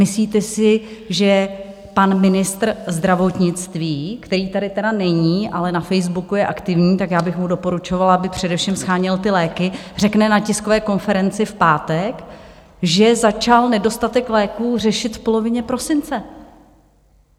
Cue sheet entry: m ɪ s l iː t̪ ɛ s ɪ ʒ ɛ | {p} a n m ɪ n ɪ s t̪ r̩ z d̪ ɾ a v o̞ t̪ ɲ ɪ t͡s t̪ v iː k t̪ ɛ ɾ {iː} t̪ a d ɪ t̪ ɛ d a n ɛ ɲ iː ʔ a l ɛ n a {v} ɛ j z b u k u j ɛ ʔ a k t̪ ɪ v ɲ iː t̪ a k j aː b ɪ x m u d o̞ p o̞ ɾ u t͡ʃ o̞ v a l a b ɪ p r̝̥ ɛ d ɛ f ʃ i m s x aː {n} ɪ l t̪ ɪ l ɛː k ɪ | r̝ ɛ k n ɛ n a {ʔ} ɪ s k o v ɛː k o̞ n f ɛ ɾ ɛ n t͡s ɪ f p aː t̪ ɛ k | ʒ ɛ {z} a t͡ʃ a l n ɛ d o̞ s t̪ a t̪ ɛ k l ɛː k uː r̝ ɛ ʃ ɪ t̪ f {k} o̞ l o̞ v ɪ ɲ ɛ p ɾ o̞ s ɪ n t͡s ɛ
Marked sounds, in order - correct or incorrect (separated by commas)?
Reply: correct, correct, incorrect, incorrect, incorrect, correct, incorrect